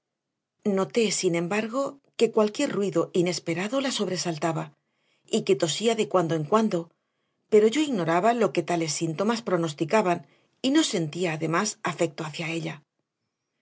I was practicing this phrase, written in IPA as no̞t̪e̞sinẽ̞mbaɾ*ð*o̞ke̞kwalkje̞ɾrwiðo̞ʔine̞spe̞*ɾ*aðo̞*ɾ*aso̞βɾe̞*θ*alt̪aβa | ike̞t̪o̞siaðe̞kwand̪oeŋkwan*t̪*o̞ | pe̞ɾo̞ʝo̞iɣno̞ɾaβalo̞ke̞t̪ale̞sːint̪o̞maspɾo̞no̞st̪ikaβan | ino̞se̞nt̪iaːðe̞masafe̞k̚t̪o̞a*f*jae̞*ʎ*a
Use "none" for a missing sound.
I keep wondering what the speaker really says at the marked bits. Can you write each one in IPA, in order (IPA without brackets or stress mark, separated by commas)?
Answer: ɣ, ɾ, l, s, d̪, θ, ʎ